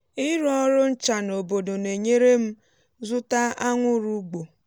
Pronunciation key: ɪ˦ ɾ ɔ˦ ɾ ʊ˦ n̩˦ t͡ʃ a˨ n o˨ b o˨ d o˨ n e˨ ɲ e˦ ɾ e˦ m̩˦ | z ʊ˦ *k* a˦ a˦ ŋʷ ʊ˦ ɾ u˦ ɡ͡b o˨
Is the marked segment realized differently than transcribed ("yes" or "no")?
yes